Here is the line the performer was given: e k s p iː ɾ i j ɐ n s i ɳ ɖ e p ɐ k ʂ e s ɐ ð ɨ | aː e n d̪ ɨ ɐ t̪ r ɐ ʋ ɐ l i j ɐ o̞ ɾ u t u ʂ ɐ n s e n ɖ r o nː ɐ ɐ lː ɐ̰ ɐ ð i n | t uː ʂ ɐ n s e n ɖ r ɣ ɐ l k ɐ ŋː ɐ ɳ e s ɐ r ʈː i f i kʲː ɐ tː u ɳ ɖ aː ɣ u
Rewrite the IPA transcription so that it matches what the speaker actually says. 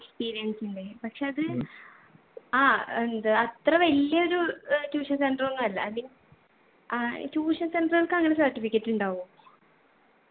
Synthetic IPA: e k s p iː ɾ i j ɐ n s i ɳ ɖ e p ɐ k ʂ e ɐ ð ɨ | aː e n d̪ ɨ ɐ t̪ r ɐ ʋ ɐ l i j ɐ o̞ ɾ u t uː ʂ ɐ n s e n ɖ r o nː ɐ ɐ lː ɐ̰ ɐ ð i n | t uː ʂ ɐ n s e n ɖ r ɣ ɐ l k ɐ ŋː ɐ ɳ e s ɐ r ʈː i f i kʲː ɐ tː u ɳ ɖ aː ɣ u